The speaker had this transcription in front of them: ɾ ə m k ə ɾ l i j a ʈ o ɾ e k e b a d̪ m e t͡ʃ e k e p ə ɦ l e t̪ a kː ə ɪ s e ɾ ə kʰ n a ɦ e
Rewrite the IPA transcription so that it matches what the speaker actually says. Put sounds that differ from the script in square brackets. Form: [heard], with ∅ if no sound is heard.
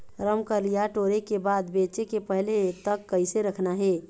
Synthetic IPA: ɾ ə m k ə ɾ l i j a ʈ o ɾ e k e b a d̪ [b] e t͡ʃ e k e p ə ɦ l e t̪ [ə] kː ə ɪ s e ɾ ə kʰ n a ɦ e